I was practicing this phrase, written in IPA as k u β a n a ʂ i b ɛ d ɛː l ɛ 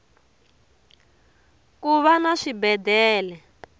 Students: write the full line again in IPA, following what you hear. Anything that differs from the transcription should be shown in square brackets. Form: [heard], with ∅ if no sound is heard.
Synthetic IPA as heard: k u β a n a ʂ i b ɛ d ɛː l ɛ